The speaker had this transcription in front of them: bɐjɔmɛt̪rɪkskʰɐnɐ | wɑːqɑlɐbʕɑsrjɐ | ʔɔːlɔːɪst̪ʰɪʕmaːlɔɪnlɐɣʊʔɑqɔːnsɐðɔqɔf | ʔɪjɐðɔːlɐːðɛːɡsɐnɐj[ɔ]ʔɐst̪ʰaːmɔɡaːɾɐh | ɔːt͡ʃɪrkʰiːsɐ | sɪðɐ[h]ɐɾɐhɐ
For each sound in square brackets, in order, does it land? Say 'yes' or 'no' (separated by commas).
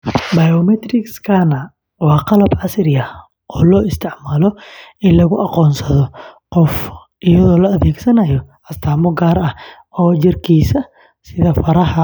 yes, no